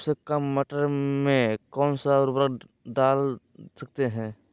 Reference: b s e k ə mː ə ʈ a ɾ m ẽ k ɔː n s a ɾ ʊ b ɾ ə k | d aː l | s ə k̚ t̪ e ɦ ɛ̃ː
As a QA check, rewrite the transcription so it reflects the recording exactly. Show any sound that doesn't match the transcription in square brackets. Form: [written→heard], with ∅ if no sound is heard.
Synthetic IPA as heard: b s e k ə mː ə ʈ [a→ə] ɾ m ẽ k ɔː n s a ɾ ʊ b ɾ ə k | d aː l | s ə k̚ t̪ e ɦ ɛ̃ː